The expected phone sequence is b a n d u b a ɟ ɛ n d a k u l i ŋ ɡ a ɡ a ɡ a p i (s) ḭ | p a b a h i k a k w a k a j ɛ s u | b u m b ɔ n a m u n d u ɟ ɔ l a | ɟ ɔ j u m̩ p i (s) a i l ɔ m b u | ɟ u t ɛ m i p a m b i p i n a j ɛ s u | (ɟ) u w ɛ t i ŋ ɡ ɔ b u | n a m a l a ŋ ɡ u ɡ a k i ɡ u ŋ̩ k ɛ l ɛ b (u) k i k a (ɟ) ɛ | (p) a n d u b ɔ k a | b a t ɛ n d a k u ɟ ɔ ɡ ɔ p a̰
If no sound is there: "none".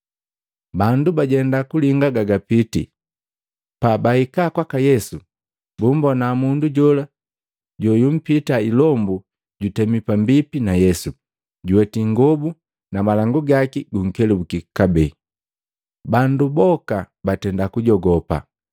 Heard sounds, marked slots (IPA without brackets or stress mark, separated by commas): t, t, ɟ, u, b, b